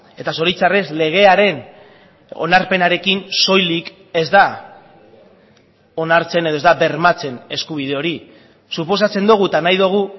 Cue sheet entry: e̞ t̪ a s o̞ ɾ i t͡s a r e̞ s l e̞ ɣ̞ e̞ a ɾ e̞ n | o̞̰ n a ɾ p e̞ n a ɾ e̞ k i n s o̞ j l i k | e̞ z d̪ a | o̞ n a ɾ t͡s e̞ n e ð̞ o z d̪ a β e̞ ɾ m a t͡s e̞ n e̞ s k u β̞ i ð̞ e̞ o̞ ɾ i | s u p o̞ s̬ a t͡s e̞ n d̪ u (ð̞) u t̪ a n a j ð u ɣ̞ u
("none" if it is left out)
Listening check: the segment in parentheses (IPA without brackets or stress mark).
ɣ̞